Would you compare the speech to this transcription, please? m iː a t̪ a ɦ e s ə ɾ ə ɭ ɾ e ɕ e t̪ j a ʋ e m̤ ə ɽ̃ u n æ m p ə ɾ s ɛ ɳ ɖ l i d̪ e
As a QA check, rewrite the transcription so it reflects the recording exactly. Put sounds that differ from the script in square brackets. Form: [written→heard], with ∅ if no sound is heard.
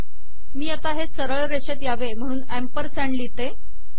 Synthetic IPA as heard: m iː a t̪ a ɦ e s ə ɾ ə ɭ ɾ e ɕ e t̪ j a ʋ e m̤ ə ɽ̃ [u→uː] n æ m p ə ɾ s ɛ ɳ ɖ l i [d̪→t̪] e